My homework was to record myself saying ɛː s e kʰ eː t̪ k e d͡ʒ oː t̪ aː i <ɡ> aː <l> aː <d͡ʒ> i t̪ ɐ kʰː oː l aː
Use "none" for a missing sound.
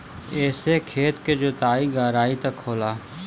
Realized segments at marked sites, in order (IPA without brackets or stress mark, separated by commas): ɡ, ɾ, none